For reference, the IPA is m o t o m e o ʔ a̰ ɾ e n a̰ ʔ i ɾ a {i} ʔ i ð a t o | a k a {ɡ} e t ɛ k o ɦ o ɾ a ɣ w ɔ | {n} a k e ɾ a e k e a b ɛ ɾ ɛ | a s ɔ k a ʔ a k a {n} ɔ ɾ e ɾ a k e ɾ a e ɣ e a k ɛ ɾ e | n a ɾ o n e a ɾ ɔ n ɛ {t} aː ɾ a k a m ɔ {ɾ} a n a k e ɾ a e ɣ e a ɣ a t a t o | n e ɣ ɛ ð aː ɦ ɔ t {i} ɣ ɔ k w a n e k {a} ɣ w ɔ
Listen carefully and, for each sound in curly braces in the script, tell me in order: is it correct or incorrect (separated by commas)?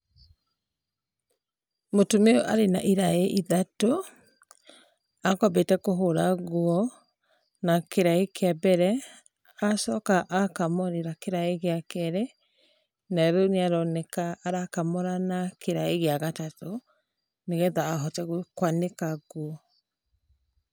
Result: incorrect, incorrect, correct, incorrect, incorrect, correct, incorrect, correct